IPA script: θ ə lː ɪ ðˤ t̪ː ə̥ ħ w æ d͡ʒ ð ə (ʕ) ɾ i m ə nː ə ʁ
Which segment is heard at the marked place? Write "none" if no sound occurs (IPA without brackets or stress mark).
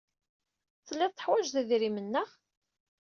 ð